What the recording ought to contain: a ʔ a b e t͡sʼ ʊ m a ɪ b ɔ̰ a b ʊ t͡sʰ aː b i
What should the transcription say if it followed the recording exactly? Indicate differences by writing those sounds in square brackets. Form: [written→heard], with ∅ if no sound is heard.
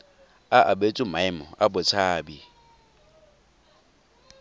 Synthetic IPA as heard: a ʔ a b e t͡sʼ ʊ m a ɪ [b→m] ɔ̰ a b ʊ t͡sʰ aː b i